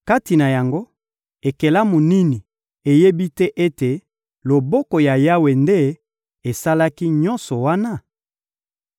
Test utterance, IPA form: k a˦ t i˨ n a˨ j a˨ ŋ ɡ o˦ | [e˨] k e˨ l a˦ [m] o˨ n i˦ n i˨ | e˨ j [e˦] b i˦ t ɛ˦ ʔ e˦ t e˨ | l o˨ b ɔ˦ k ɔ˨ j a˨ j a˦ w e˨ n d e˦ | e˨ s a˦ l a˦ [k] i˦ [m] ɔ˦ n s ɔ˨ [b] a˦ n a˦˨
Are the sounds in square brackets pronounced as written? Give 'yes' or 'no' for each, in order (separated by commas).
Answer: yes, yes, yes, yes, no, no